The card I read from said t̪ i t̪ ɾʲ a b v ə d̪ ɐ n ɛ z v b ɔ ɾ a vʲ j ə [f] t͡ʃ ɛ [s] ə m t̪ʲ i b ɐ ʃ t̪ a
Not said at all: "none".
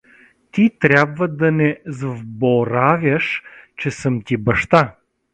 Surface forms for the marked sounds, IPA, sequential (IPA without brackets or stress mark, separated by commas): ʃ, s